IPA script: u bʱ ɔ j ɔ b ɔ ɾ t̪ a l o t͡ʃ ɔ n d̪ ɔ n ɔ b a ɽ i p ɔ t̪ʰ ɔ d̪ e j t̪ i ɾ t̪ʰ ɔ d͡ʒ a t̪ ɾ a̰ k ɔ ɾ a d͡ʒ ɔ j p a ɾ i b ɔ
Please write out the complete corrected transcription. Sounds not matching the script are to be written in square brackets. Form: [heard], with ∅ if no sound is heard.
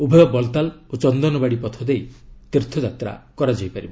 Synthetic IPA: u bʱ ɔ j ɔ b ɔ [l] t̪ a l o t͡ʃ ɔ n d̪ ɔ n ɔ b a ɽ i p ɔ t̪ʰ ɔ d̪ e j t̪ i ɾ t̪ʰ ɔ d͡ʒ a t̪ ɾ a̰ k ɔ ɾ a d͡ʒ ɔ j p a ɾ i b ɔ

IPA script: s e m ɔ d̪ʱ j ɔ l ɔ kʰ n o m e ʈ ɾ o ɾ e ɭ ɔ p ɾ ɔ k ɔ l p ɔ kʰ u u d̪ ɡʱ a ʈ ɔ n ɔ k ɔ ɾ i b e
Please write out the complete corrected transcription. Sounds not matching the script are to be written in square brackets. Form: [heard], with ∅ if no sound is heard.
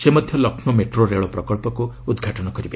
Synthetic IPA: s e m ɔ d̪ʱ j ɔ l ɔ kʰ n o m e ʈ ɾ o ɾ e ɭ ɔ p ɾ ɔ k ɔ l p ɔ [k] u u d̪ ɡʱ a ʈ ɔ n ɔ k ɔ ɾ i b e

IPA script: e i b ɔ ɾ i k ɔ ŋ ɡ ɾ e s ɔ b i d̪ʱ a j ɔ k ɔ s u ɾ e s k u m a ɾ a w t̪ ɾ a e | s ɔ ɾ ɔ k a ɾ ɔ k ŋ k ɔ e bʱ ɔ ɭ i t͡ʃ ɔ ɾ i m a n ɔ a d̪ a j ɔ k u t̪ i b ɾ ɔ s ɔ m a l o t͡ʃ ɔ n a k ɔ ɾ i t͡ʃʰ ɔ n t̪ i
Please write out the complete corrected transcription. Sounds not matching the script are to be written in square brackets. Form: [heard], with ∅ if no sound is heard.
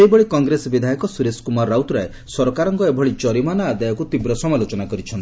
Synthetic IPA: e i b ɔ [ɭ] i k ɔ ŋ ɡ ɾ e s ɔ b i d̪ʱ a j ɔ k ɔ s u ɾ e s k u m a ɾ a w t̪ ɾ a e | s ɔ ɾ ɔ k a ɾ ɔ [∅] ŋ k ɔ e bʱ ɔ ɭ i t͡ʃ ɔ ɾ i m a n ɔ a d̪ a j ɔ k u t̪ i b ɾ ɔ s ɔ m a l o t͡ʃ ɔ n a k ɔ ɾ i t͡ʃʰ ɔ n t̪ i

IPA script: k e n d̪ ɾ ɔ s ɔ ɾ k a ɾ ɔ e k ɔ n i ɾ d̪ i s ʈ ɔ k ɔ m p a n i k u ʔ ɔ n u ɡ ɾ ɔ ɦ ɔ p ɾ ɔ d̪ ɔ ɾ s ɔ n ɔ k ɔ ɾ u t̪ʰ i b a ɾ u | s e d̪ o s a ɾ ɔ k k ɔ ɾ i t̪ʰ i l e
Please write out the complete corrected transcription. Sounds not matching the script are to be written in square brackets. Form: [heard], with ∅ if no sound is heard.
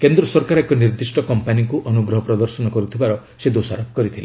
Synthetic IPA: k e n d̪ ɾ ɔ s ɔ ɾ k a ɾ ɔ e k ɔ n i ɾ d̪ i s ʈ ɔ k ɔ m p a n i k u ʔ ɔ n u ɡ ɾ ɔ ɦ ɔ p ɾ ɔ d̪ ɔ ɾ s ɔ n ɔ k ɔ ɾ u t̪ʰ i b a ɾ [ɔ] | s e d̪ o s a ɾ ɔ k k ɔ ɾ i t̪ʰ i l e

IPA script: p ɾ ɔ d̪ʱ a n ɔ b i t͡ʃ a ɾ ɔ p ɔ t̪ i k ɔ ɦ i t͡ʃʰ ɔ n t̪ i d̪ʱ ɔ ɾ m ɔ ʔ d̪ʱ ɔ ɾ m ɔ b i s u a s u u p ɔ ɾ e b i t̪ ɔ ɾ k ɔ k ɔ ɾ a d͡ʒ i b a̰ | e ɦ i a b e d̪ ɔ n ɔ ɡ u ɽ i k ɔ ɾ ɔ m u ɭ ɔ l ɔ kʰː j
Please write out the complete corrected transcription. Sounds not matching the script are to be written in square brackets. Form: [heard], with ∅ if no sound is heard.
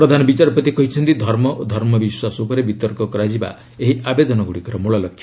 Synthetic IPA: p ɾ ɔ d̪ʱ a n ɔ b i t͡ʃ a ɾ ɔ p ɔ t̪ i k ɔ ɦ i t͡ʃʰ ɔ n t̪ i d̪ʱ ɔ ɾ m ɔ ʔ d̪ʱ ɔ ɾ m ɔ b i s [w] a s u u p ɔ ɾ e b i t̪ ɔ ɾ k ɔ k ɔ ɾ a d͡ʒ i b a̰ | e ɦ i a b e d̪ ɔ n ɔ ɡ u ɽ i k ɔ ɾ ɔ m u ɭ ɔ l ɔ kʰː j

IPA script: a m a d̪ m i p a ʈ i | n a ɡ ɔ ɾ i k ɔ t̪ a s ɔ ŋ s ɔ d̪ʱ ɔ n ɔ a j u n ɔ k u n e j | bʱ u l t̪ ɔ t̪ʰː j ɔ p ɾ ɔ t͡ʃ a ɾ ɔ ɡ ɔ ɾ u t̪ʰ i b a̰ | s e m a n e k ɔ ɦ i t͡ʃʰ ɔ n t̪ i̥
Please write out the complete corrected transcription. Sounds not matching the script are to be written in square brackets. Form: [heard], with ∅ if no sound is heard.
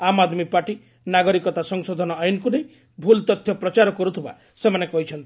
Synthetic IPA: a m a d̪ m i p a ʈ i | n a ɡ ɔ ɾ i k ɔ t̪ a s ɔ ŋ s ɔ d̪ʱ ɔ n ɔ a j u n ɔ k u n e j | bʱ u l t̪ ɔ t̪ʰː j ɔ p ɾ ɔ t͡ʃ a ɾ ɔ [k] ɔ ɾ u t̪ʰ i b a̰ | s e m a n e k ɔ ɦ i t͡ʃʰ ɔ n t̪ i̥

